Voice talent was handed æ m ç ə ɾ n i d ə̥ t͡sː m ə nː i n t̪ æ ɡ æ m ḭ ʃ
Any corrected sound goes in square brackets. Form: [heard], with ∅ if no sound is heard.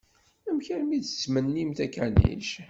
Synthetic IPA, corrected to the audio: æ m ç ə ɾ [m] i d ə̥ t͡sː m ə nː i [m] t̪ æ [k] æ [n] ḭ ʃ